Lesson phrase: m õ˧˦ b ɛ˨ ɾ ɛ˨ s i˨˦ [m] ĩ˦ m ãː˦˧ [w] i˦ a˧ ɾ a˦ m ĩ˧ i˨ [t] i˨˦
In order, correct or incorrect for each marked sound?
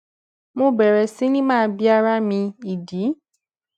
incorrect: n, incorrect: b, incorrect: d

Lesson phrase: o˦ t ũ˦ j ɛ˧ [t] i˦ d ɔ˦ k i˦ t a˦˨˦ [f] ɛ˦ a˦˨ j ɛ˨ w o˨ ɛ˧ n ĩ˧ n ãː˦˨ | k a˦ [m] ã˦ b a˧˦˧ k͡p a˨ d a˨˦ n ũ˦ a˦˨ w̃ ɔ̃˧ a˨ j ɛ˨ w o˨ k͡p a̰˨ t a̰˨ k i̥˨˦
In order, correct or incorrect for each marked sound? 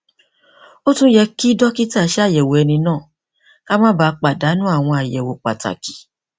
incorrect: k, incorrect: ʃ, correct

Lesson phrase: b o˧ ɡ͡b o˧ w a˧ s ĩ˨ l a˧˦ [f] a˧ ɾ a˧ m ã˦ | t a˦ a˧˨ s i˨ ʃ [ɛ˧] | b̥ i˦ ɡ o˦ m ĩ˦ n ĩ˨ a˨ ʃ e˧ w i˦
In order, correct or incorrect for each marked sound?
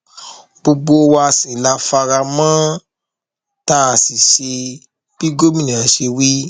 correct, incorrect: e˧

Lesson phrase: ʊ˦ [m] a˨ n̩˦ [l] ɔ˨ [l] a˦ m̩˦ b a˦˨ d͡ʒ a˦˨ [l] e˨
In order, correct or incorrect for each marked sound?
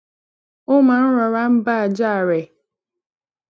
correct, incorrect: ɾ, incorrect: ɾ, incorrect: ɾ

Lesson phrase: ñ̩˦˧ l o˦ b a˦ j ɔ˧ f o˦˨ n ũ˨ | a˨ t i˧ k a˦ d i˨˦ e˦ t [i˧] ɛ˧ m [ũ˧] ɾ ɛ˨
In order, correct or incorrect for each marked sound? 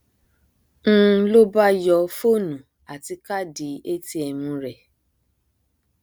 correct, correct

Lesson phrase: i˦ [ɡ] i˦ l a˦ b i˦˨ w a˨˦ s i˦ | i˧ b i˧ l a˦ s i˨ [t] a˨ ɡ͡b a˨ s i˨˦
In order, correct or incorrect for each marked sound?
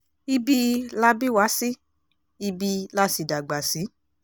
incorrect: b, incorrect: d

